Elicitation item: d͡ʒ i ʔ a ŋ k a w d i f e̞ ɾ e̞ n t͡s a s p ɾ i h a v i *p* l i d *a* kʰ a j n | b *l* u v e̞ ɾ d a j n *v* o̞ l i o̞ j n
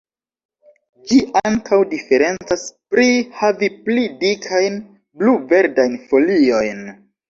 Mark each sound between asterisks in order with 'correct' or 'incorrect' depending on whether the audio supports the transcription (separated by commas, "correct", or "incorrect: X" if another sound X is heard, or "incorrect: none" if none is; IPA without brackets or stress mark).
correct, incorrect: i, correct, incorrect: f